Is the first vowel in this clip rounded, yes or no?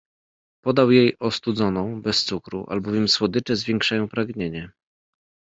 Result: yes